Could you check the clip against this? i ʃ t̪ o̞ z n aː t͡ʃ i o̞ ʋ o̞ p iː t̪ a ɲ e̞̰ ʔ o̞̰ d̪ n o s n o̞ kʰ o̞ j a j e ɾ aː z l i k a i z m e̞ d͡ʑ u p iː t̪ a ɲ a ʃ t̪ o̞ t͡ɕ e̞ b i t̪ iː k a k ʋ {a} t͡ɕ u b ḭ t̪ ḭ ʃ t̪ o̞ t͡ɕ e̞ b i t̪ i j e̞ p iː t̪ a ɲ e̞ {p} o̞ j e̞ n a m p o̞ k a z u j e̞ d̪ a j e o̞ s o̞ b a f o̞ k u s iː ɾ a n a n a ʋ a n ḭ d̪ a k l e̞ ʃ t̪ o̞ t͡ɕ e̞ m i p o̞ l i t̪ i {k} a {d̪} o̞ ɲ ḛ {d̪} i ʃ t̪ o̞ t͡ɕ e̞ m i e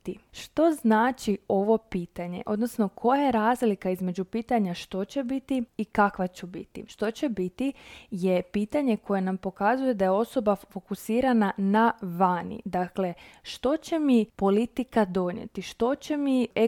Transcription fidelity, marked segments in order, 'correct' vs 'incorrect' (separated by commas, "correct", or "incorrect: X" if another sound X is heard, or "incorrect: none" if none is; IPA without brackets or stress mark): correct, incorrect: k, correct, correct, incorrect: t̪